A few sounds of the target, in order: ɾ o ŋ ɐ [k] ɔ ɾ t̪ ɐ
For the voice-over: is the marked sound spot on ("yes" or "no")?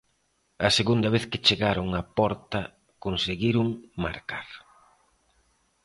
no